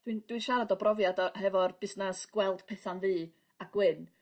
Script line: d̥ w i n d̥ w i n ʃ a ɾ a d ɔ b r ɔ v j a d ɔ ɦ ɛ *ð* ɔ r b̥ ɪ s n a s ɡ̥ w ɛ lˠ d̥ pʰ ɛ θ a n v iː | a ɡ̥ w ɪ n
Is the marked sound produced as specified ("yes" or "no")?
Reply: no